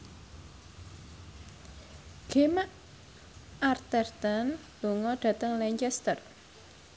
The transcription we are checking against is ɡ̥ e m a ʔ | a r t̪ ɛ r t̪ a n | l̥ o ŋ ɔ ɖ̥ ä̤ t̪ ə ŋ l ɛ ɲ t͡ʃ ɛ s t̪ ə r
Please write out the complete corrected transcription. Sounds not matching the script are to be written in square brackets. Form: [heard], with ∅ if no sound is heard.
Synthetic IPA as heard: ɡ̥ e m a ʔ | a r t̪ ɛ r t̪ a n | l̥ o ŋ ɔ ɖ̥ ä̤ t̪ ə ŋ l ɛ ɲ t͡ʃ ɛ s t̪ ə r